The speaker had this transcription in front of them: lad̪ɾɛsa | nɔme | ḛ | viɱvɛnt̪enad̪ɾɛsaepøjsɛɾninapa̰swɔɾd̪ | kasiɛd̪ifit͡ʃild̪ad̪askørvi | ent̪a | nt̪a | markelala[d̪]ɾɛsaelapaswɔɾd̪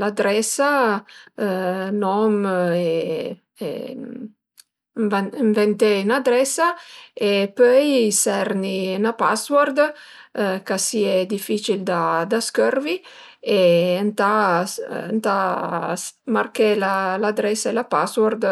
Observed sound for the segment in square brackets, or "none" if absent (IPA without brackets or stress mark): d̪